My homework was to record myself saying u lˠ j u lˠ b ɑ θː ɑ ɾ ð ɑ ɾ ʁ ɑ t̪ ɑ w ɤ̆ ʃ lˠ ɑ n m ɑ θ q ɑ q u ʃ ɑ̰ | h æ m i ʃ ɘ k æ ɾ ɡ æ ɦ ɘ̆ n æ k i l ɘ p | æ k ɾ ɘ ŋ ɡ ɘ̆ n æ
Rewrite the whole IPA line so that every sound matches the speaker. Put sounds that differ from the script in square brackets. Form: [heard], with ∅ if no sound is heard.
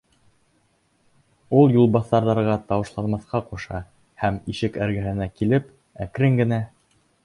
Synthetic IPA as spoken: u lˠ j u lˠ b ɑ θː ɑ ɾ ð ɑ ɾ ʁ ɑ t̪ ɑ w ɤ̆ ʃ lˠ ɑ n m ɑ θ q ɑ q u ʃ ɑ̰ | h æ m i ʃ ɘ k æ ɾ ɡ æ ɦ ɘ̆ n æ k i l ɘ p | æ k ɾ ɘ ŋ ɡ ɘ̆ n æ